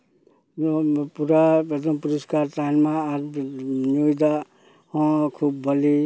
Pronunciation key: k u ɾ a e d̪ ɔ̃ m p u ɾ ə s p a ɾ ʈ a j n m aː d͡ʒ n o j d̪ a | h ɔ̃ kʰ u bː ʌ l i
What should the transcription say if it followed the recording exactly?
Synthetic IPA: p u ɾ a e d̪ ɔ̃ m p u ɾ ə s k a ɾ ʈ a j n m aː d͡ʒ n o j d̪ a | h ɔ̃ kʰ u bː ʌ l i

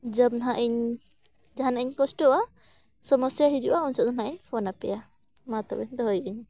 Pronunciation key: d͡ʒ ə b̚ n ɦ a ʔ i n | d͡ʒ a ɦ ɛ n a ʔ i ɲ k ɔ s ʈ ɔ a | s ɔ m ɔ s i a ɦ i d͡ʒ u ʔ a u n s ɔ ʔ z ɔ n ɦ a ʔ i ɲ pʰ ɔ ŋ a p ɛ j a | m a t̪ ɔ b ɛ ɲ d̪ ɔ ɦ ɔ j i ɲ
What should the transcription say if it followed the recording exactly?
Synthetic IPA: d͡ʒ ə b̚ n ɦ a ʔ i ɲ | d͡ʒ a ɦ a n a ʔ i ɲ k ɔ s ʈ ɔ a | s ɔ m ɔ s j a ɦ i d͡ʒ u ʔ a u n s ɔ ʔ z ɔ n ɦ a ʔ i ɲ pʰ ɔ n a p ɛ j a | m a t̪ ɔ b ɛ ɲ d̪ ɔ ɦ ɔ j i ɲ

